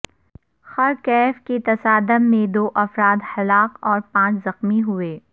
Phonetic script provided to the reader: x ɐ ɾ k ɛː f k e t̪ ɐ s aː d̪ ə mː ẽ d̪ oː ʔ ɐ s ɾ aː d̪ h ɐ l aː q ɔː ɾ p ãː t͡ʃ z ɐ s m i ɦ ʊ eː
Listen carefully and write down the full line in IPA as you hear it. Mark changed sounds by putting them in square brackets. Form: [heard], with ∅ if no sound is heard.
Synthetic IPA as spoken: x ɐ ɾ k ɛː f k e t̪ ɐ s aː d̪ ə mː ẽ d̪ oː ʔ ɐ [f] ɾ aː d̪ h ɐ l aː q ɔː ɾ p ãː t͡ʃ z ɐ [x] m i ɦ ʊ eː